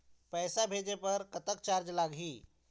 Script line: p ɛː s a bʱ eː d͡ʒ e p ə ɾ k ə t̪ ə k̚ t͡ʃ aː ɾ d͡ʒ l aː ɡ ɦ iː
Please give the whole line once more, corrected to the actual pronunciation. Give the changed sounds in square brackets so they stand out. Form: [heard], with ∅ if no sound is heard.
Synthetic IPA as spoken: p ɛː s a bʱ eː d͡ʒ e p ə ɾ k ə t̪ ə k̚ t͡ʃ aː ɾ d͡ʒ l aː ɡ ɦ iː